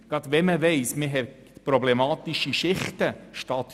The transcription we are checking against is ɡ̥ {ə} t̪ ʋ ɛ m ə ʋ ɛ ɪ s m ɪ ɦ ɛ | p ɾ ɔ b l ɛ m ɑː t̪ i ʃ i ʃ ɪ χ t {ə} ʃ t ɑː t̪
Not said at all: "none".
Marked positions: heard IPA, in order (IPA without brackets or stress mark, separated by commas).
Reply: ɑ, ə